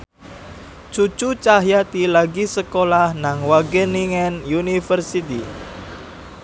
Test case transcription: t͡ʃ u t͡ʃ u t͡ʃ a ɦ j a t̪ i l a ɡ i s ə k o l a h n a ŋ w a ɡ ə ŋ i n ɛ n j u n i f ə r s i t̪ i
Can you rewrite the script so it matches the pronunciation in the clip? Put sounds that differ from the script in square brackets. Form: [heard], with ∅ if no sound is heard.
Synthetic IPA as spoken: t͡ʃ u t͡ʃ u t͡ʃ a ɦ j a t̪ i l a ɡ i s ə k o l a h n a ŋ w a ɡ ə [n] i [ŋ] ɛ n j u n i f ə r s i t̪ i